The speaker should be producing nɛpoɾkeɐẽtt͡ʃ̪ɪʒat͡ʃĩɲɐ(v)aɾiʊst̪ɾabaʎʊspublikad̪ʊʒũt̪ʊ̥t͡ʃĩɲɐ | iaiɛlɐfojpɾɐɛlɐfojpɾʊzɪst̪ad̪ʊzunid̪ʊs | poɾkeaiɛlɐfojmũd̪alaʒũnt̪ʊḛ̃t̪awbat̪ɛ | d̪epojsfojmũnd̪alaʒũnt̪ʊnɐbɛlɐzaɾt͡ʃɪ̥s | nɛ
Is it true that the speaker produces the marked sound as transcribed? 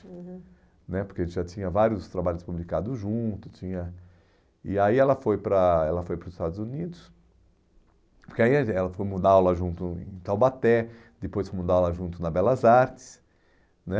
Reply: yes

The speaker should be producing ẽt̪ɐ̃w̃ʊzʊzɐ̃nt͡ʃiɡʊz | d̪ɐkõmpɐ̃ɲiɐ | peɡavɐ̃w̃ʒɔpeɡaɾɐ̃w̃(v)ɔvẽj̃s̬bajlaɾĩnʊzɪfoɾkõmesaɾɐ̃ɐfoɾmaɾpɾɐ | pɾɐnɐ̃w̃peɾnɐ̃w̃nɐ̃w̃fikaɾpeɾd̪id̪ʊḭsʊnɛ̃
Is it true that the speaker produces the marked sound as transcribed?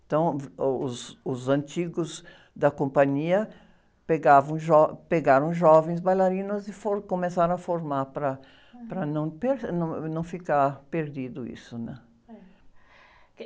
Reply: no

